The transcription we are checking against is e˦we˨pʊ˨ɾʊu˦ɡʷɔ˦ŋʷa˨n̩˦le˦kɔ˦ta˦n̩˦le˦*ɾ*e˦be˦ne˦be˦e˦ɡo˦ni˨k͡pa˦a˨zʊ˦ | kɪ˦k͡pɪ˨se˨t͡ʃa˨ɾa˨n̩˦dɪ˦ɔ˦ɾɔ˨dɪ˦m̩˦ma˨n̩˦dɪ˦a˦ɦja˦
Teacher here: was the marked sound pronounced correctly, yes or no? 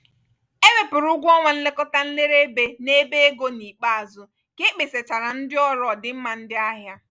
yes